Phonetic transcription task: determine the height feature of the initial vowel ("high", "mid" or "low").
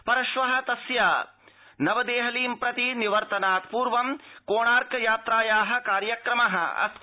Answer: low